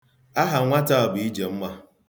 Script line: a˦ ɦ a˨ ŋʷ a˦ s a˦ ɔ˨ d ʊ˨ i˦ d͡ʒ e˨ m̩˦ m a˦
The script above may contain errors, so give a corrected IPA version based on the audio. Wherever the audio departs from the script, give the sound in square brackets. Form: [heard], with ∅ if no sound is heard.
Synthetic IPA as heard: a˦ ɦ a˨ ŋʷ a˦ [t] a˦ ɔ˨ [b] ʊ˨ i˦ d͡ʒ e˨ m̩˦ m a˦